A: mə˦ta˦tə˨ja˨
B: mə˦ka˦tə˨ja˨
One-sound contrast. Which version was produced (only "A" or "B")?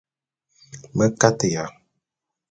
B